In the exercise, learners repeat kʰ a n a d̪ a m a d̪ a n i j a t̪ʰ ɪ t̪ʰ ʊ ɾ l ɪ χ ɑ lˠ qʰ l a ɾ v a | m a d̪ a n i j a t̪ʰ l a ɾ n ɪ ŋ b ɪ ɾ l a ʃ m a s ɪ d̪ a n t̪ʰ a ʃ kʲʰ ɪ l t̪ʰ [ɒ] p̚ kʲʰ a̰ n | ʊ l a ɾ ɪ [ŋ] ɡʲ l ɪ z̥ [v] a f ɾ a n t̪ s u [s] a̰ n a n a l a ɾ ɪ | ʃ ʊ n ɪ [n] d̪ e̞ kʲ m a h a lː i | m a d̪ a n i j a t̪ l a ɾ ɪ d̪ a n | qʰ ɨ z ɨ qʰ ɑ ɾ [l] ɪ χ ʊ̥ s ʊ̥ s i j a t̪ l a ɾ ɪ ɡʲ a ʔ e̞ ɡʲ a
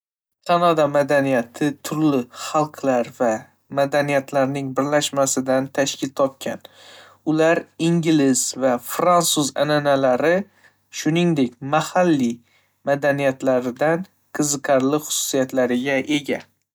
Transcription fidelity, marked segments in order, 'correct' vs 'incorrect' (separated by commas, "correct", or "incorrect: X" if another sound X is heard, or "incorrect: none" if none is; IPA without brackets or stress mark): correct, correct, correct, incorrect: z, incorrect: ŋ, correct